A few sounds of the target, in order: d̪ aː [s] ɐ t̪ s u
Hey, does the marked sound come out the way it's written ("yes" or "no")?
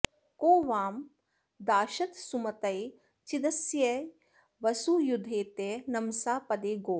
no